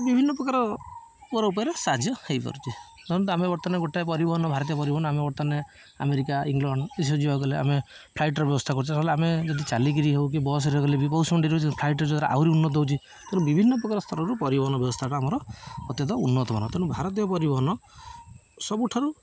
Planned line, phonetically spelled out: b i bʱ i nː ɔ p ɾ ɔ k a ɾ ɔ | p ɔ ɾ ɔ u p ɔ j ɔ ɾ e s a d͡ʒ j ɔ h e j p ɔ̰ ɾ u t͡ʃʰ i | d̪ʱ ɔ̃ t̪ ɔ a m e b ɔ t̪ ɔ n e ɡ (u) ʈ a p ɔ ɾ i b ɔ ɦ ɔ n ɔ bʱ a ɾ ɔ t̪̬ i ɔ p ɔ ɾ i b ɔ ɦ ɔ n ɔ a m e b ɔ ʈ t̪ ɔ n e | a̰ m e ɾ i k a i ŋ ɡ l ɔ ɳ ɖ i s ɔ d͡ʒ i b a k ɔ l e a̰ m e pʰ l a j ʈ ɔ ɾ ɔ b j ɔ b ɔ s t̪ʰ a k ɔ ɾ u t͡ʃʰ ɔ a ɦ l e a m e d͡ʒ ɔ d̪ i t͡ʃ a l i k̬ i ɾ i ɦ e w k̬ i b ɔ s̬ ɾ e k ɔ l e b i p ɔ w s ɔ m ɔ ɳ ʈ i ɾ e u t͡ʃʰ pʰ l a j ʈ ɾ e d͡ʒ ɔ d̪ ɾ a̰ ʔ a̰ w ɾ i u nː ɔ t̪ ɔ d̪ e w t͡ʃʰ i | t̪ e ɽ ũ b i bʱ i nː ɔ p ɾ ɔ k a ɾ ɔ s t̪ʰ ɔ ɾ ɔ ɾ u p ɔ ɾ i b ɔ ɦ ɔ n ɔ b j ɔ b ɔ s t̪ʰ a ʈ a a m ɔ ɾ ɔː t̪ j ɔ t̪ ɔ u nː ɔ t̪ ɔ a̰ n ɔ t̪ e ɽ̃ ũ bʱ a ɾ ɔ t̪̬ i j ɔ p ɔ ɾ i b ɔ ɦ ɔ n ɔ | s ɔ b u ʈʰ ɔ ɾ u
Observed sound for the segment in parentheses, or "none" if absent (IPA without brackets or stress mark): o